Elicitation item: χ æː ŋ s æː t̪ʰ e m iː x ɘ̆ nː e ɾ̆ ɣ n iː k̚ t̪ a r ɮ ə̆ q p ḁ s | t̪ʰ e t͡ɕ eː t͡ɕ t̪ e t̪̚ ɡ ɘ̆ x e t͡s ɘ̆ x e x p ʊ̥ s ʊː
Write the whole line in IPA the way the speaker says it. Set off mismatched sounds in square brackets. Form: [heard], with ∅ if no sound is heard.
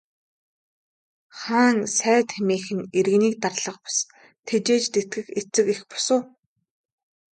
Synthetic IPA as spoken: χ [aː] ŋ s æː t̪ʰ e m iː x ɘ̆ [n] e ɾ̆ ɣ n iː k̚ t̪ a r ɮ ə̆ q p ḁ s | t̪ʰ e t͡ɕ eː t͡ɕ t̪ e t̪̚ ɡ ɘ̆ x e t͡s ɘ̆ [k] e x p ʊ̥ s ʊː